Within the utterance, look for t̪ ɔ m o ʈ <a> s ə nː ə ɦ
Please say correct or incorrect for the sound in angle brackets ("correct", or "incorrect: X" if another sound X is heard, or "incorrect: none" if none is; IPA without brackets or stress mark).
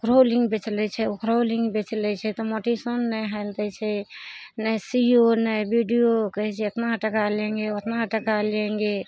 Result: incorrect: i